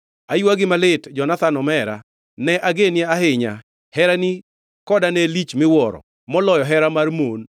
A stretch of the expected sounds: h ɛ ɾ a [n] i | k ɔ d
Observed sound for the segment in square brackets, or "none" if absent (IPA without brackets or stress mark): n